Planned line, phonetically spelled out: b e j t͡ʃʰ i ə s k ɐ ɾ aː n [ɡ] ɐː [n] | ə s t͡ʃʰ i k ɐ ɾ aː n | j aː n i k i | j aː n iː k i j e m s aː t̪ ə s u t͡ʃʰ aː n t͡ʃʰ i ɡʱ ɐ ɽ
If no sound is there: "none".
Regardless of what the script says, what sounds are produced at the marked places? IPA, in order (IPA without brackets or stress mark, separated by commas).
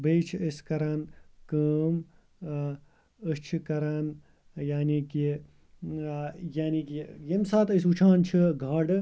k, m